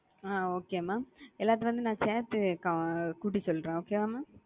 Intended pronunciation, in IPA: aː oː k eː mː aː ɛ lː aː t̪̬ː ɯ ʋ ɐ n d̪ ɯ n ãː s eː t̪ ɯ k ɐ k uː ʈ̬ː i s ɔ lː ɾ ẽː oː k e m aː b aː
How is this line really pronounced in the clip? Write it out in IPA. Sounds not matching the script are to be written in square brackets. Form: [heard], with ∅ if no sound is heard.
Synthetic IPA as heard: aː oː k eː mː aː ɛ lː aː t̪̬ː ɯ ʋ ɐ n d̪ ɯ n ãː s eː t̪ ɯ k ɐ k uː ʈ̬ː i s ɔ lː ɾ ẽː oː k e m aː [m] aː